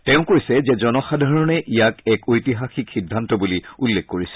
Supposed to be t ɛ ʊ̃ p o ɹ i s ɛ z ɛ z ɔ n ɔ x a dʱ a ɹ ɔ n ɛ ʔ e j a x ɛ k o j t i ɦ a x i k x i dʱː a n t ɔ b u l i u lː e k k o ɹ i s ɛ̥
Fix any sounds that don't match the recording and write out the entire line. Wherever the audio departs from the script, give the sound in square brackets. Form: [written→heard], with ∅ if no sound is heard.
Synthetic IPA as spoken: t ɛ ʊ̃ [p→k] o ɹ i s ɛ z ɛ z ɔ n ɔ x a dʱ a ɹ ɔ n ɛ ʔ [e→i] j a [x→k] ɛ k o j t i ɦ a x i k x i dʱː a n t ɔ b u l i u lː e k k o ɹ i s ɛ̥